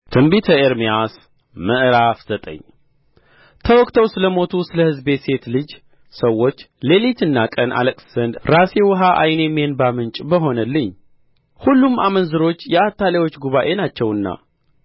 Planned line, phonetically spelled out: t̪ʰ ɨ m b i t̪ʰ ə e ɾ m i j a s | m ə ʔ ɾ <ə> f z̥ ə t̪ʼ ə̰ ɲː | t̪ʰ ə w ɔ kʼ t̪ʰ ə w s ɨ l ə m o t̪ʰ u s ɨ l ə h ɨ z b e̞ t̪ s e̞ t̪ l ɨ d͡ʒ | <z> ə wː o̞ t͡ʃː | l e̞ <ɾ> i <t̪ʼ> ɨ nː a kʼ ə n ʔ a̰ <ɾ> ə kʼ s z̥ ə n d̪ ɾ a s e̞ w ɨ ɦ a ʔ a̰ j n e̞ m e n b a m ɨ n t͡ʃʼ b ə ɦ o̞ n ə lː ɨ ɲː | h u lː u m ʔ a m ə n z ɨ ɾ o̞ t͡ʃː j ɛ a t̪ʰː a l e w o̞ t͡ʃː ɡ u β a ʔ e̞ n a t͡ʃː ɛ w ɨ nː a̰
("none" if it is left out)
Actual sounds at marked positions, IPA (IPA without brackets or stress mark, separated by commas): a, s, l, t̪, l